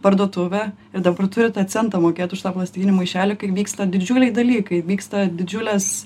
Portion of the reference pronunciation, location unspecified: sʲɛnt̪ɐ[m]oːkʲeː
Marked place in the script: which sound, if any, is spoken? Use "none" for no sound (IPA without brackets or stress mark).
m